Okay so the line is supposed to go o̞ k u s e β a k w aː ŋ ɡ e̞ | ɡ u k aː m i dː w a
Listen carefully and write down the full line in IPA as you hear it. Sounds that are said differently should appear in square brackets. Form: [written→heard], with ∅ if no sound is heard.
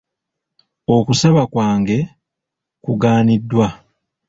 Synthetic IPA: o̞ k u s [e→a] β a k w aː ŋ ɡ e̞ | [ɡ→k] u [k→ɡ] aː [m→n] i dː w a